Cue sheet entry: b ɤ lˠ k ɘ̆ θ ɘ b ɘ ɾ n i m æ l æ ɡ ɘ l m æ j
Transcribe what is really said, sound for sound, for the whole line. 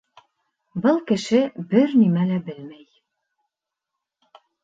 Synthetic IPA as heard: b ɤ lˠ k ɘ̆ ʃ ɘ b ɘ ɾ n i m æ l æ b ɘ l m æ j